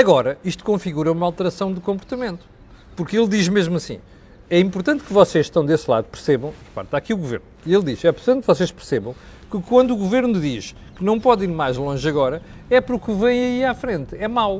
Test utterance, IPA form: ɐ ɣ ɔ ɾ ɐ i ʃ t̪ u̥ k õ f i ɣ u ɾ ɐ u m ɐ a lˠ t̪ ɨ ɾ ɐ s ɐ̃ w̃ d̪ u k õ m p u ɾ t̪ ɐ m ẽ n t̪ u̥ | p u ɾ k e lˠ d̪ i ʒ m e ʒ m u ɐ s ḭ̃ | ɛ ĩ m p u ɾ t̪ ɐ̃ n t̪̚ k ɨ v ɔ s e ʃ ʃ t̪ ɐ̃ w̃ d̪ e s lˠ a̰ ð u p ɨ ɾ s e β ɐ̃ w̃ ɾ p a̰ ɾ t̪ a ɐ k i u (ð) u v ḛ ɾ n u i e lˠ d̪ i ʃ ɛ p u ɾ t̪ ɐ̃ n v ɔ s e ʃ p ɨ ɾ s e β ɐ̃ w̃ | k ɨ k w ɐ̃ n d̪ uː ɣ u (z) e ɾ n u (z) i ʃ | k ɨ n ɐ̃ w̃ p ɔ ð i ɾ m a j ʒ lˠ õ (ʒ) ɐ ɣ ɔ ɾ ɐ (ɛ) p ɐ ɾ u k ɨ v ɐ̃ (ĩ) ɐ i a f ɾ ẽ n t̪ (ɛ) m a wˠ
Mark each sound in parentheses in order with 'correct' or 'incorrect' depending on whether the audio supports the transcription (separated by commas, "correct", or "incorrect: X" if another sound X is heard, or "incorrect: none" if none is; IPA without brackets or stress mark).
incorrect: ɣ, incorrect: v, incorrect: ð, correct, correct, incorrect: j̃, correct